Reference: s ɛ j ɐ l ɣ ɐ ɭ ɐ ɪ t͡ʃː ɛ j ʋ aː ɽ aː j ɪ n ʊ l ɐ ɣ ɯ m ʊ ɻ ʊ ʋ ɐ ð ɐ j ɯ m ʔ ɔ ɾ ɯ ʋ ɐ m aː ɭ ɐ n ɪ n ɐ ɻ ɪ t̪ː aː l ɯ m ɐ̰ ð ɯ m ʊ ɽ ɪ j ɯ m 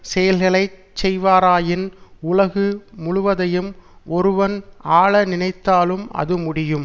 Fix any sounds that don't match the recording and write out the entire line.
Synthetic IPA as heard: s ɛ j ɐ l ɣ ɐ ɭ ɐ ɪ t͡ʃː ɛ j ʋ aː ɾ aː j ɪ n ʊ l ɐ ɣ ɯ m ʊ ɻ ʊ ʋ ɐ ð ɐ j ɯ m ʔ ɔ ɾ ɯ ʋ ɐ n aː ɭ ɐ n ɪ n ɐ ɪ t̪ː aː l ɯ m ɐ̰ ð ɯ m ʊ ɽ ɪ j ɯ m

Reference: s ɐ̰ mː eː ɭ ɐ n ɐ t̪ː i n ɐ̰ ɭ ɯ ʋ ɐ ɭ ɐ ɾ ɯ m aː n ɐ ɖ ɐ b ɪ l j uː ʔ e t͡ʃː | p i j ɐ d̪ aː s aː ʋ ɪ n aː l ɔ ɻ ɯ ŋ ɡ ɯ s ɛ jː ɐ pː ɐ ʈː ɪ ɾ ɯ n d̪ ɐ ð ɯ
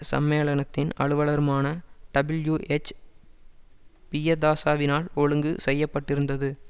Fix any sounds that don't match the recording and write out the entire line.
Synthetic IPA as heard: s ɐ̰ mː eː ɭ ɐ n ɐ t̪ː ɪ n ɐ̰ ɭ ɯ ʋ ɐ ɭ ɐ ɾ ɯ m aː n ɐ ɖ ɐ b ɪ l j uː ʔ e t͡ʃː | p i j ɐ d̪ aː s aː ʋ ɪ n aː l ɔ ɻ ɯ ŋ ɡ ɯ s ɛ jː ɐ pː ɐ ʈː ɪ ɾ ɯ n d̪ ɐ ð ɯ

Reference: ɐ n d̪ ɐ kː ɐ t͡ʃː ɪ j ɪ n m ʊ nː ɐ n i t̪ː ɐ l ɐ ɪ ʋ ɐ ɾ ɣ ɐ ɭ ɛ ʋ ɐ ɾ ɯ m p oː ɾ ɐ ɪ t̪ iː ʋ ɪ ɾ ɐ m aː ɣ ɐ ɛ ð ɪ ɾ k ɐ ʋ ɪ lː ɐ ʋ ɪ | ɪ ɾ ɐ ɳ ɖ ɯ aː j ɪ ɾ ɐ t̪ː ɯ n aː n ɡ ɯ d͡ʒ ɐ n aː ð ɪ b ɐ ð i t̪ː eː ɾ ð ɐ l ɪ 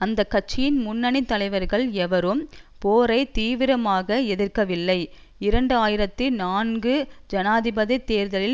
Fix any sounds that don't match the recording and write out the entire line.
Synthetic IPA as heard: ɐ n d̪ ɐ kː ɐ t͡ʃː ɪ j ɪ n m ʊ nː ɐ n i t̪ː ɐ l ɐ ɪ ʋ ɐ ɾ ɣ ɐ ɭ ɛ ʋ ɐ ɾ ɯ m p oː ɾ ɐ ɪ t̪ iː ʋ ɪ ɾ ɐ m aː ɣ ɐ ɛ ð ɪ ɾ k ɐ ʋ ɪ lː ɐ ɪ | ɪ ɾ ɐ ɳ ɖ ɯ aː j ɪ ɾ ɐ t̪ː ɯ n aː n ɡ ɯ d͡ʒ ɐ n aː ð ɪ b ɐ ð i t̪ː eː ɾ ð ɐ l ɪ

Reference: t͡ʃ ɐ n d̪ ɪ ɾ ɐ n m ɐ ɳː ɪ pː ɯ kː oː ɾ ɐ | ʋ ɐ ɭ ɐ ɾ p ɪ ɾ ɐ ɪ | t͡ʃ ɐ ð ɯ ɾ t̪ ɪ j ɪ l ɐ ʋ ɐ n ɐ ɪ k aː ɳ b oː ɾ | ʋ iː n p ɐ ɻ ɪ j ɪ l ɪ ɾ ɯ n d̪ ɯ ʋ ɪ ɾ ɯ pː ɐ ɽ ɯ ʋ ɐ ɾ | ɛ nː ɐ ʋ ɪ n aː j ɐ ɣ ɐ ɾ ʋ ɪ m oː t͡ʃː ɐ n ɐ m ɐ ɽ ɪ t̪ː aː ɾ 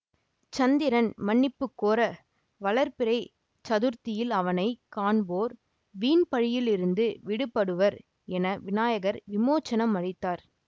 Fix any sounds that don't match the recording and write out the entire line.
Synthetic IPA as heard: t͡ʃ ɐ n d̪ ɪ ɾ ɐ n m ɐ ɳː ɪ pː ɯ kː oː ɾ ɐ | ʋ ɐ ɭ ɐ ɾ p ɪ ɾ ɐ ɪ | t͡ʃ ɐ ð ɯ ɾ t̪ ɪ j ɪ l ɐ ʋ ɐ n ɐ ɪ k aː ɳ b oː ɾ | ʋ iː n p ɐ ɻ ɪ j ɪ l ɪ ɾ ɯ n d̪ ɯ ʋ ɪ ɽ ɯ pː ɐ ɽ ɯ ʋ ɐ ɾ | ɛ n ɐ ʋ ɪ n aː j ɐ ɣ ɐ ɾ ʋ ɪ m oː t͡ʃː ɐ n ɐ m ɐ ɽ ɪ t̪ː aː ɾ

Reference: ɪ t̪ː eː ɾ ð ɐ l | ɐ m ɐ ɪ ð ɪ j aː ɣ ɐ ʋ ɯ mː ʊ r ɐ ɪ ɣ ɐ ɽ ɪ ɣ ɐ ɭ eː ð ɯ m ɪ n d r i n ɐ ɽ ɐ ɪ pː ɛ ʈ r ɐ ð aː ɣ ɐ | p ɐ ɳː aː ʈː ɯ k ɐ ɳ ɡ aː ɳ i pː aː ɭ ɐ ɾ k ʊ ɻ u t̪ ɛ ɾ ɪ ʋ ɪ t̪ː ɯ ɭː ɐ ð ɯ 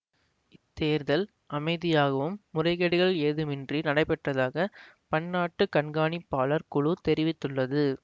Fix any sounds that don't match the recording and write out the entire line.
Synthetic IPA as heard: ɪ t̪ː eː ɾ ð ɐ l | ɐ m ɐ ɪ ð ɪ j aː ɣ ɐ ʋ ɯ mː ʊ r ɐ ɪ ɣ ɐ ɽ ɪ ɣ ɐ ɭ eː ð ɯ m ɪ n d r i n ɐ ɽ ɐ ɪ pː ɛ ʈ r ɐ ð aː ɣ ɐ | p ɐ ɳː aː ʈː ɯ k ɐ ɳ ɡ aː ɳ i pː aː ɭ ɐ ɾ k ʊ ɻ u t̪ ɛ ɾ ɪ ʋ ɪ t̪ː ɯ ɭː ɐ ð ɯ

